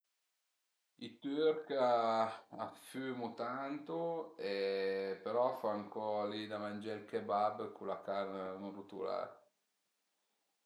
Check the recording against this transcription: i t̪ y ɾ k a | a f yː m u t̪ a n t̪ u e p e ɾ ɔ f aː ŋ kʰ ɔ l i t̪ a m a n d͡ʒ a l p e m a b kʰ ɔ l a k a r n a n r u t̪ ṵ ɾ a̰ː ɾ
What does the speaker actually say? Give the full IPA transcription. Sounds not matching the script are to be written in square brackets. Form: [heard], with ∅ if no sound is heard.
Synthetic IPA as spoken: i t̪ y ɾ k a | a f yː m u t̪ a n t̪ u e p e ɾ ɔ f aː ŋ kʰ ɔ l i [d̪] a m a n d͡ʒ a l [k] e [b] a b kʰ [u] l a k a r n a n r u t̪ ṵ [l] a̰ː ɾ